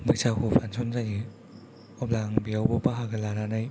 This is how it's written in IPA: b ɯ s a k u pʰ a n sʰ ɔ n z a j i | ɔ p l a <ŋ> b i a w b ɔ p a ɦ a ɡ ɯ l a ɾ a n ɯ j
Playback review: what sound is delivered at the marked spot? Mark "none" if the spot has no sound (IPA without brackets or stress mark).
ŋ